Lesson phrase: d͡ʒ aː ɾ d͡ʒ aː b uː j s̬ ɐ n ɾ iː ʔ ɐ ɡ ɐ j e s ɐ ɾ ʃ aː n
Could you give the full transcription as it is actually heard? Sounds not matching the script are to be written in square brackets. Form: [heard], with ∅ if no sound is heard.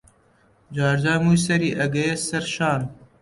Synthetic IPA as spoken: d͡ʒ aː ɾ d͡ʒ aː [m] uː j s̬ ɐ [∅] ɾ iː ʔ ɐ ɡ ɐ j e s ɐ ɾ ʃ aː n